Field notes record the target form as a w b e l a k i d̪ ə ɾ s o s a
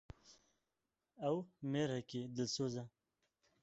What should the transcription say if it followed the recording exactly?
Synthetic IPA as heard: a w m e ɾ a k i d̪ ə l s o z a